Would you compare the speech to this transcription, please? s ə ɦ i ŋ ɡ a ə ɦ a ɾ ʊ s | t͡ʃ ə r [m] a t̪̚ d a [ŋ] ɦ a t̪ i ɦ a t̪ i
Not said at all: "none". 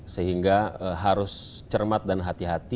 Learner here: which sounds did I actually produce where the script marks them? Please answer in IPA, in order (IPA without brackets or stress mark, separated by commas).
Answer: m, n